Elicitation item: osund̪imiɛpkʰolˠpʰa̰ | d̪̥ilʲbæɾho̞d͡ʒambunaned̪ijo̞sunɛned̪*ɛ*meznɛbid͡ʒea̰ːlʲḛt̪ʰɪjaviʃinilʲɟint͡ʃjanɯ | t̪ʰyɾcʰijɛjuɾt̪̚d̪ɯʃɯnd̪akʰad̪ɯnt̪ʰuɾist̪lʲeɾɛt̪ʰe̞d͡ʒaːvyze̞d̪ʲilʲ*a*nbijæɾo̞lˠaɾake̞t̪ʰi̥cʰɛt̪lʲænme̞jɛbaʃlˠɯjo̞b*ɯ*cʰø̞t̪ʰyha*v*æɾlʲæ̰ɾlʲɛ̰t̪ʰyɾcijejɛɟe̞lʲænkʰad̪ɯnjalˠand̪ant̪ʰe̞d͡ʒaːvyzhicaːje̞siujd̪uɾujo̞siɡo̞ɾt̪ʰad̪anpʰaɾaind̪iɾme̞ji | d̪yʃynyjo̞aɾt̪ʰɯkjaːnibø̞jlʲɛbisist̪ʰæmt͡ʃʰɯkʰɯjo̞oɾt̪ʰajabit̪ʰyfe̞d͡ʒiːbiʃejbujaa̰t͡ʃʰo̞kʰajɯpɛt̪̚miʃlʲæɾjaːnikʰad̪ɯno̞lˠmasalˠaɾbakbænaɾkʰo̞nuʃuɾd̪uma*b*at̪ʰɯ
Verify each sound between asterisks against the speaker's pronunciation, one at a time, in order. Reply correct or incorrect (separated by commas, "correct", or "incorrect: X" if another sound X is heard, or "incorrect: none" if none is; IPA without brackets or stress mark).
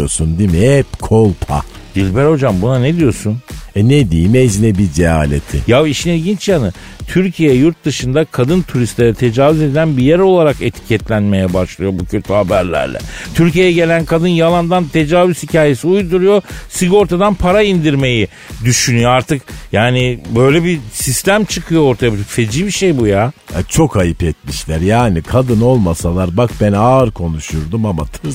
incorrect: i, incorrect: æ, incorrect: u, incorrect: b, incorrect: m